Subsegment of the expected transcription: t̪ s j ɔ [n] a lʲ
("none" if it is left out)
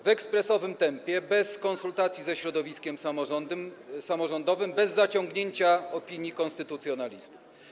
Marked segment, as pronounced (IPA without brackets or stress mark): n